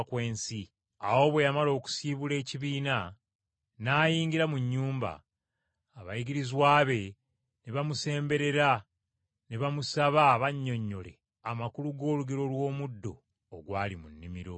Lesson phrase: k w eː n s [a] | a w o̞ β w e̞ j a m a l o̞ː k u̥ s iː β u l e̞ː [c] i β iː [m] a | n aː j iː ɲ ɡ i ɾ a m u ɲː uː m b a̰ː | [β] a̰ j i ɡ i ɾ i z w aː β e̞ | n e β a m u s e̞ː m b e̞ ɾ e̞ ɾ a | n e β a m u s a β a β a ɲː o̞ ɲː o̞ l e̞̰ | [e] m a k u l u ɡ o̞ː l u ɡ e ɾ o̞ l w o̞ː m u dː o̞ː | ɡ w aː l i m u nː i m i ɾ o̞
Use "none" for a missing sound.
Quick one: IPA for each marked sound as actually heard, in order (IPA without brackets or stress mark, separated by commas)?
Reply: i, c, n, β, a